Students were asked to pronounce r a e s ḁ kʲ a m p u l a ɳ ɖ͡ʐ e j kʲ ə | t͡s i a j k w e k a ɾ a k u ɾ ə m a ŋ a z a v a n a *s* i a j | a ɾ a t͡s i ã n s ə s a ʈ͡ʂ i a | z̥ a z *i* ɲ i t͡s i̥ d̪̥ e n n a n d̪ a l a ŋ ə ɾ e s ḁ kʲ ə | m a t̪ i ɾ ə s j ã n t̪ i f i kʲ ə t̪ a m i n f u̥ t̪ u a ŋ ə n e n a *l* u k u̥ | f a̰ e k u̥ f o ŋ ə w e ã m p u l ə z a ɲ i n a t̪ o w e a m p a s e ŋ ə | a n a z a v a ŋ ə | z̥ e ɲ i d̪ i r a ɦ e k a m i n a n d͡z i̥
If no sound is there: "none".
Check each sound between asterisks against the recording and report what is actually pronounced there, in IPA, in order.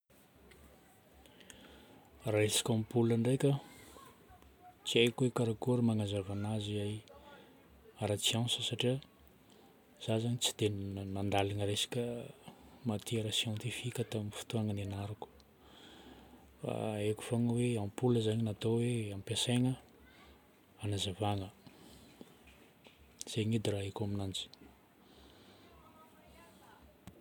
z, a, ɾ

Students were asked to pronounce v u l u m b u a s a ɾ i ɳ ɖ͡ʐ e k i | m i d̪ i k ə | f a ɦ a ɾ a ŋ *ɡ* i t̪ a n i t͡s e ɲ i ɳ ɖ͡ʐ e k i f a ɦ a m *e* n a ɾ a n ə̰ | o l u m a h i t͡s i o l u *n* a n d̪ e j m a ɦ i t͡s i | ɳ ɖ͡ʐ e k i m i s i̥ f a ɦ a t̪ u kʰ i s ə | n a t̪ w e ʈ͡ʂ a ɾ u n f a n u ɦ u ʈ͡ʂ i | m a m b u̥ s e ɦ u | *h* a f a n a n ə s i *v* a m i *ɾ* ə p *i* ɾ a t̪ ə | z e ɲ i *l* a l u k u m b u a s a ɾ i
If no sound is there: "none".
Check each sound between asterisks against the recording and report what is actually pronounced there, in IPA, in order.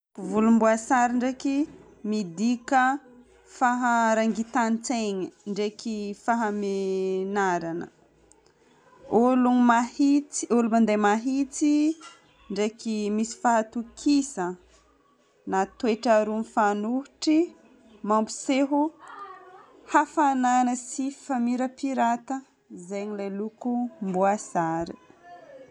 ɡ, e, m, h, f, ɾ, i, l

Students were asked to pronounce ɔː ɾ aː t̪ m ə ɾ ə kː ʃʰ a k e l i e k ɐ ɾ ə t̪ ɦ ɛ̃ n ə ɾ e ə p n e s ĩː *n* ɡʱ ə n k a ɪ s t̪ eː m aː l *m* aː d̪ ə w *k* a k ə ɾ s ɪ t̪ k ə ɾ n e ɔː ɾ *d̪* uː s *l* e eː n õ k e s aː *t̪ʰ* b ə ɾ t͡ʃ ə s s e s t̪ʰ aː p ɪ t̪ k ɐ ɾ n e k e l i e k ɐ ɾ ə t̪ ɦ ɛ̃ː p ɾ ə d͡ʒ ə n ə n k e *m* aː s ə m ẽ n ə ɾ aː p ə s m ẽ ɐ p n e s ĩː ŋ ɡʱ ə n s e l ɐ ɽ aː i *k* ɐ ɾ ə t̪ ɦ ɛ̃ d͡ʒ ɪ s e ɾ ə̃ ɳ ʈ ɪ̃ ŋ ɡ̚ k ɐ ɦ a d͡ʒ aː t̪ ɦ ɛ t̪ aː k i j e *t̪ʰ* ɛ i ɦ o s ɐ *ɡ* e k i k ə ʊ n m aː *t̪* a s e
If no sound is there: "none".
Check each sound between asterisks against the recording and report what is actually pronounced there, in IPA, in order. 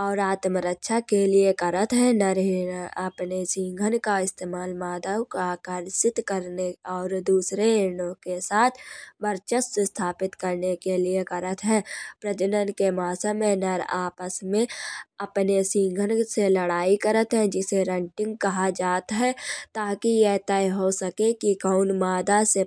ŋ, m, k, d̪, ɾ, t̪ʰ, m, k, t̪, k, d̪

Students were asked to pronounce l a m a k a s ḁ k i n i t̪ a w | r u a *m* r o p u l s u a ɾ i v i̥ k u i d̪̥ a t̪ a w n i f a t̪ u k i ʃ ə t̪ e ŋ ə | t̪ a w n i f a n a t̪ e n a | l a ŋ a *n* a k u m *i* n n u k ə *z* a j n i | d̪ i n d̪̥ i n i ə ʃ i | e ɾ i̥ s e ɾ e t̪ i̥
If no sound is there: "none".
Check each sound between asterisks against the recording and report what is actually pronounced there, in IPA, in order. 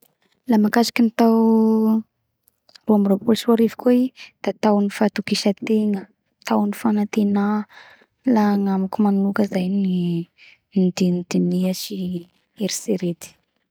m, m, a, z

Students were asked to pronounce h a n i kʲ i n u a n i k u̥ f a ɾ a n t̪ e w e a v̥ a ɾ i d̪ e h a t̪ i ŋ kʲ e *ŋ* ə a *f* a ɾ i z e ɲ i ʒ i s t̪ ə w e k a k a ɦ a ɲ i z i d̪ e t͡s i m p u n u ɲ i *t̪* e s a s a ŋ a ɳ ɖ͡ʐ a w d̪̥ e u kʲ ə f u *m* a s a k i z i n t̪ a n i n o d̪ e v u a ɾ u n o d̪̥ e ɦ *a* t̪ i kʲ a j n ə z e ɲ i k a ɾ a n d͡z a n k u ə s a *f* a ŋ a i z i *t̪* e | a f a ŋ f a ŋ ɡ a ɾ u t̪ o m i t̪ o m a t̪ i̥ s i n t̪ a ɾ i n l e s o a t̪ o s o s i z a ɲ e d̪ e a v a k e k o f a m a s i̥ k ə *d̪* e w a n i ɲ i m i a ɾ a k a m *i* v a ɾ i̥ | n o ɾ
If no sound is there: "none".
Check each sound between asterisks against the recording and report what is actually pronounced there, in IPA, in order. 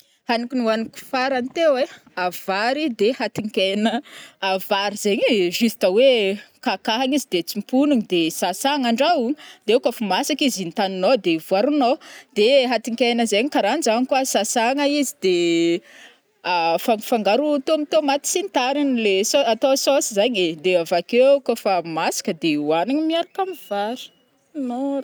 n, v, d̪, m, a, s, d̪, d̪, i

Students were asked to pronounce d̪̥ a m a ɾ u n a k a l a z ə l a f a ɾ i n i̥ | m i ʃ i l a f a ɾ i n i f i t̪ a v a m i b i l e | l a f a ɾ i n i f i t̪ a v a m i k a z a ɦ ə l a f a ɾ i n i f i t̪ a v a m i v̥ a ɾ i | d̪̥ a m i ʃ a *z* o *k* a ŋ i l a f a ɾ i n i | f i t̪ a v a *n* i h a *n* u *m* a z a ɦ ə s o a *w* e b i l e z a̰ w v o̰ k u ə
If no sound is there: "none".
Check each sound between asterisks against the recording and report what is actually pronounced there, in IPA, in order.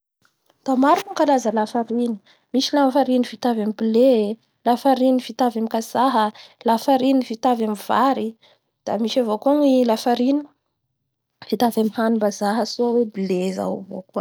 v, k, m, n, b, w

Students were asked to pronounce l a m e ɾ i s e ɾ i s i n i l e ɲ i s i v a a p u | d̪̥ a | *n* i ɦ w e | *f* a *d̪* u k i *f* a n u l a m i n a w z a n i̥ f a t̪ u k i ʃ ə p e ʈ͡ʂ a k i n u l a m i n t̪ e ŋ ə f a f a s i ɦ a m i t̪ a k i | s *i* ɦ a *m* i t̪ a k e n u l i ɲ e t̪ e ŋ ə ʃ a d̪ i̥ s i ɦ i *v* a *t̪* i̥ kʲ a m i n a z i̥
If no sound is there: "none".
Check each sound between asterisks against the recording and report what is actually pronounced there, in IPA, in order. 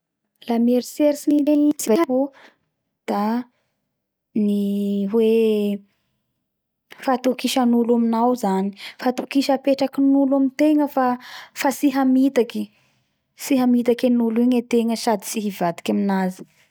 n, f, t̪, ʃ, i, m, v, d̪

